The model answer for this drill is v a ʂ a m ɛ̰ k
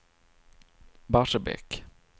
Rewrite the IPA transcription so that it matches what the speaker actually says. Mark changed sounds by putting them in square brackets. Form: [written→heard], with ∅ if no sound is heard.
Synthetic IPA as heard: [v→b] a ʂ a [m→b] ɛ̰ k